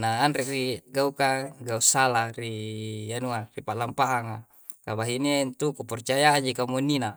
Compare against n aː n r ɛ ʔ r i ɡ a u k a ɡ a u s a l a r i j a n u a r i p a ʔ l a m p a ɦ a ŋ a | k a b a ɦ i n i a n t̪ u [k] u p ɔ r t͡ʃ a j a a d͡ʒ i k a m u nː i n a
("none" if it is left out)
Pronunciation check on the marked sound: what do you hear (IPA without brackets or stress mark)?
k